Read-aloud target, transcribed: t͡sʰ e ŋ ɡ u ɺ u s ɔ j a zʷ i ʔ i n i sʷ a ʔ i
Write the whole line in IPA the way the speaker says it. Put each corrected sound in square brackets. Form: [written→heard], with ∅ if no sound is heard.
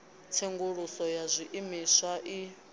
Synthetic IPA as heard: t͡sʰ e ŋ ɡ u ɺ u s ɔ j a zʷ i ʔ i [n→m] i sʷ a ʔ i

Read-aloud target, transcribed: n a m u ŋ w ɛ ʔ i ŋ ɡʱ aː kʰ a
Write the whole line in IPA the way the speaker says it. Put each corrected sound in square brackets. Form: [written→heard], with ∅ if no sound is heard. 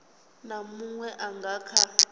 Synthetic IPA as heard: n a m u ŋ w ɛ ʔ [i→a] ŋ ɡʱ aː kʰ a

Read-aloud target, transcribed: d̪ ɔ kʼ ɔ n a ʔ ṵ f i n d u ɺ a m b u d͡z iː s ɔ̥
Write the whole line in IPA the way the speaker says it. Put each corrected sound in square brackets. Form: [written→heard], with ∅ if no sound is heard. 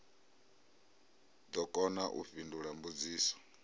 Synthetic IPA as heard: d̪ ɔ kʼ ɔ n a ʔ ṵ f i n d u ɺ a m b u d͡z iː s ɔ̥

